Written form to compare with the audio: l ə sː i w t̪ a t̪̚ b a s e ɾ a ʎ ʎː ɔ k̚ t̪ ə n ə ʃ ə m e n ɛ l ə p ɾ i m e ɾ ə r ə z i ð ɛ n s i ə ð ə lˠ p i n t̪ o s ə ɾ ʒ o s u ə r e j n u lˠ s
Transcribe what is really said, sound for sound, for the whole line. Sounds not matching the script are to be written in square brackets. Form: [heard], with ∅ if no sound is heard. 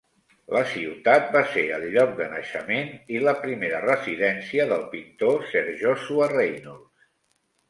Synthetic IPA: l ə [s] i w t̪ a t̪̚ b a s e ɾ [ə] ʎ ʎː ɔ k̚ [d̪] ə n ə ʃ ə m e n [i] l ə p ɾ i m e ɾ ə r ə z i ð ɛ n s i ə ð ə lˠ p i n t̪ o s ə ɾ ʒ o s u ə r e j n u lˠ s